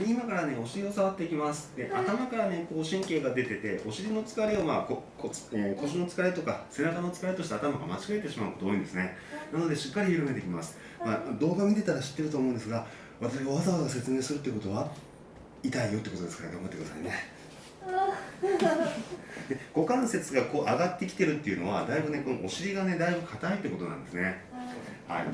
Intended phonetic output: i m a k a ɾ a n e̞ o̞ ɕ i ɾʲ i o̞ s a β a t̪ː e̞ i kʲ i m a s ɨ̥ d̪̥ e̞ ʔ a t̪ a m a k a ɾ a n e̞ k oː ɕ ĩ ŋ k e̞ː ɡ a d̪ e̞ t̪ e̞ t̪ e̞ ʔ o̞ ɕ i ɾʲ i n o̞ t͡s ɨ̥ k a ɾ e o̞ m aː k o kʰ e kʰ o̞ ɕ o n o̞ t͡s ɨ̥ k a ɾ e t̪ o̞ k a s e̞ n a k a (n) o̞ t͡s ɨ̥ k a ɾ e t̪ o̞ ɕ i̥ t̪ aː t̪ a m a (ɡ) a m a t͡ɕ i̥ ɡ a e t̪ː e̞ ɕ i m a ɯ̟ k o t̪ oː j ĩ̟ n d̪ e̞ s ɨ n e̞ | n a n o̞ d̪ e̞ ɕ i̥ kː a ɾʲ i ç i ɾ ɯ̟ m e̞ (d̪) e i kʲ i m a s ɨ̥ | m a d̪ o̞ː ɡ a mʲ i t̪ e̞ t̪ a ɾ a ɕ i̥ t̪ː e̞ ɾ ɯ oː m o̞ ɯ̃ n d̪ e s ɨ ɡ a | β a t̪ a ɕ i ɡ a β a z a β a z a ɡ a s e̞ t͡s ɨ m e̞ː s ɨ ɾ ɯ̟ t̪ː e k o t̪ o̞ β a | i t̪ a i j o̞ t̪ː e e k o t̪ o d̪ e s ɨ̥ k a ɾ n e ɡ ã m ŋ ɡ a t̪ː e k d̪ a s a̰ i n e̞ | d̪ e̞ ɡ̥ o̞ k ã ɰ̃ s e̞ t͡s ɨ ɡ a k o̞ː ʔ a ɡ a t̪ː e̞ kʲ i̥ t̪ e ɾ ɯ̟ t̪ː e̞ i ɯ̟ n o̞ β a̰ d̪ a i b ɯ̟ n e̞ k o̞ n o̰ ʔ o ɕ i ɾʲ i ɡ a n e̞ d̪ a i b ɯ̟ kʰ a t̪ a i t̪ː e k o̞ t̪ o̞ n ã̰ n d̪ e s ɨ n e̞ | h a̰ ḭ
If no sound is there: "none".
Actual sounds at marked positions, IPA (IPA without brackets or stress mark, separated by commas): n, ɡ, t̪